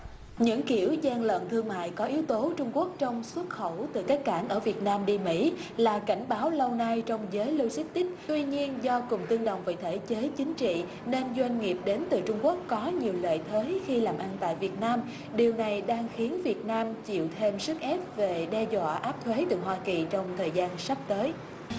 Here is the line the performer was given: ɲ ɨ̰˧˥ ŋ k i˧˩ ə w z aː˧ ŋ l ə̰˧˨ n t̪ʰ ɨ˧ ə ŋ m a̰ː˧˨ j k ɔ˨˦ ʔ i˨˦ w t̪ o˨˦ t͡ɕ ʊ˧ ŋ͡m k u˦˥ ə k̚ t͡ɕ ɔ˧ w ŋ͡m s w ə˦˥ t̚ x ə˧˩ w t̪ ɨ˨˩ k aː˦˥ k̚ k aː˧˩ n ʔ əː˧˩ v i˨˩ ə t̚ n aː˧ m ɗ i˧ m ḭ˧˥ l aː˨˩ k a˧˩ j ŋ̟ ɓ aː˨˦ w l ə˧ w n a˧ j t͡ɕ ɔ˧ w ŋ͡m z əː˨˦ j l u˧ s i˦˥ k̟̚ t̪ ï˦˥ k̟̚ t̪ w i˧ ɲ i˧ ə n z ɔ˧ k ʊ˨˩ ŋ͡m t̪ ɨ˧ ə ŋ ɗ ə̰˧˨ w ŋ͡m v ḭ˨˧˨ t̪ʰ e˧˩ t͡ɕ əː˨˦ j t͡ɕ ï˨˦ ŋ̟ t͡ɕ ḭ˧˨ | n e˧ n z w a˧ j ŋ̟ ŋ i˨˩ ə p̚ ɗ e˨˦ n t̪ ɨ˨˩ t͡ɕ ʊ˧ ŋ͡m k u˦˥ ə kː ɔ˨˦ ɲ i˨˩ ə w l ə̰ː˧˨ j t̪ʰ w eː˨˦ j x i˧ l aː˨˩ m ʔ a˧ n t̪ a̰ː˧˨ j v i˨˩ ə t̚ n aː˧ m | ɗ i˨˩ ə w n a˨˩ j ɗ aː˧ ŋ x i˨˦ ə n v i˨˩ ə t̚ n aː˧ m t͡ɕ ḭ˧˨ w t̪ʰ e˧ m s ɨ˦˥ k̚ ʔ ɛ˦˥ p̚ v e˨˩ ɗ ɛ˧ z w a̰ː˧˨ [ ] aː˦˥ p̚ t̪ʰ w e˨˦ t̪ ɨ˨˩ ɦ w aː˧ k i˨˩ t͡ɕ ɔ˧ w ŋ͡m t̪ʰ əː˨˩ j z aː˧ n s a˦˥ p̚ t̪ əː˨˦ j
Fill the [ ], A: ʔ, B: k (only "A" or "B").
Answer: A